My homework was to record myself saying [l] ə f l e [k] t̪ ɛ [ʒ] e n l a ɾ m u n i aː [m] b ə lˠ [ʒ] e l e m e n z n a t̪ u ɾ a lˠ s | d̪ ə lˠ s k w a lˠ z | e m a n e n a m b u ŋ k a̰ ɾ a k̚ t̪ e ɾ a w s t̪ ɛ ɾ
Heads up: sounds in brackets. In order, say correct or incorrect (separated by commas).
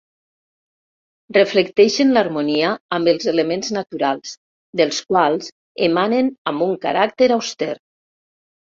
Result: incorrect, correct, incorrect, correct, incorrect